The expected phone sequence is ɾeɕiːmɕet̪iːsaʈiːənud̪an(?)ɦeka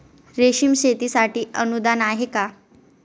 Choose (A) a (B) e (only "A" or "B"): A